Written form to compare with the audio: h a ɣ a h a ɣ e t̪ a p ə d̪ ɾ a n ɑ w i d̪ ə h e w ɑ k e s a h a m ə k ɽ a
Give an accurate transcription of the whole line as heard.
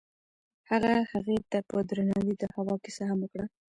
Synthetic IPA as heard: h a ɣ a h a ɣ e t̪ a p ə d̪ ɾ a n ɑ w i d̪ ə h a w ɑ k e s a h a m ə k ɽ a

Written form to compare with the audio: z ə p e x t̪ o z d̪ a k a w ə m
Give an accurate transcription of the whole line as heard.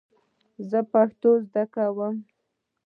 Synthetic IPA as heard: z ə p a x t̪ o z d̪ a k a w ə m

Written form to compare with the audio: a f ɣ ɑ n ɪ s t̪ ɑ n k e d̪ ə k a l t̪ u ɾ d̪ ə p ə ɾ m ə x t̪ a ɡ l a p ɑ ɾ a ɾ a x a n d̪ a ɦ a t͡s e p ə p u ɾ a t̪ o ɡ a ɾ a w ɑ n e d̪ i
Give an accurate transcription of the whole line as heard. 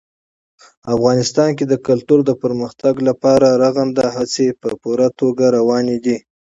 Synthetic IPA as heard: a f ɣ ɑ n ɪ s t̪ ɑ n k e d̪ ə k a l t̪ u ɾ d̪ ə p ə ɾ m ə x t̪ a ɡ l a p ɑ ɾ a ɾ a ɣ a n d̪ a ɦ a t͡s e p ə p u ɾ a t̪ o ɡ a ɾ a w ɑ n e d̪ i

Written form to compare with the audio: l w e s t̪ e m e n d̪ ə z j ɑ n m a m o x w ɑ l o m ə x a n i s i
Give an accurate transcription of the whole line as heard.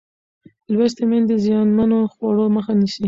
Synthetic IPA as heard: l w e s t̪ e m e n d̪ ə z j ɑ n m a n o x w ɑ ɽ o m ə x a n i s i

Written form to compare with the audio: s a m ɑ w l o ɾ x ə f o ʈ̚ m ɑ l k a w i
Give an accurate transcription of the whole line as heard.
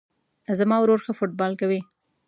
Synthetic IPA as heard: z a m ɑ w ɾ o ɾ x ə f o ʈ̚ b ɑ l k a w i

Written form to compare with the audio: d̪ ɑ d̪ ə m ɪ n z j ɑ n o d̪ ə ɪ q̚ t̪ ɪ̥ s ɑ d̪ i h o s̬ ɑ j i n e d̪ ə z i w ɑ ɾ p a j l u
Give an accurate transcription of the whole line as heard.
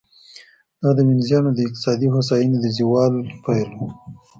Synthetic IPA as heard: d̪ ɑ d̪ ə m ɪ n z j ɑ n o d̪ ə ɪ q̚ t̪ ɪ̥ s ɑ d̪ i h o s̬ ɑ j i n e d̪ ə z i w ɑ l p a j l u

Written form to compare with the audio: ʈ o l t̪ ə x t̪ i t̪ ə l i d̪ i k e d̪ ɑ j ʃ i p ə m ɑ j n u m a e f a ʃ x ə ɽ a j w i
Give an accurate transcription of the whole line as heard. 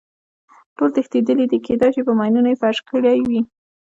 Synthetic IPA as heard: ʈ o l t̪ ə x t̪ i d̪ ə l i d̪ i k e d̪ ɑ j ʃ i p ə m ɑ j n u n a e f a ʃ k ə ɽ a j w i

